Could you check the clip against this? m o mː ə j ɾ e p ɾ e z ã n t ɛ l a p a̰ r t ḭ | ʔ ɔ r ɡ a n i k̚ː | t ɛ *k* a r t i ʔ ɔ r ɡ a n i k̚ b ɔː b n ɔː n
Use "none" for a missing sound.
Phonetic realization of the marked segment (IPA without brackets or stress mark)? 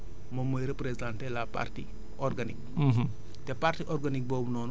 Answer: p